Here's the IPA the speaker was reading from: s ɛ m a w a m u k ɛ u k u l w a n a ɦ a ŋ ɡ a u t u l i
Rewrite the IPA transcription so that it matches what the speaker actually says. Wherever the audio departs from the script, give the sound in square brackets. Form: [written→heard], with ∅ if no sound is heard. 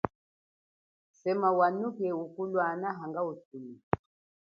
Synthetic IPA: s ɛ m a w a [m→n] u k ɛ u k u l w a n a ɦ a ŋ ɡ a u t u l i